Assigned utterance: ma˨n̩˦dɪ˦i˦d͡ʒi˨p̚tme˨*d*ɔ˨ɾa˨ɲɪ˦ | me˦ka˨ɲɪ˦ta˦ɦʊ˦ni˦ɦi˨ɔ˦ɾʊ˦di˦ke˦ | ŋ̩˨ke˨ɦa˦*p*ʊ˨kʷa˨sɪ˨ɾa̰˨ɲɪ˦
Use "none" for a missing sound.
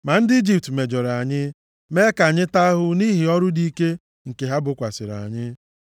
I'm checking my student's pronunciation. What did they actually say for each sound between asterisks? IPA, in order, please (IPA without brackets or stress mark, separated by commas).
d͡ʒ, b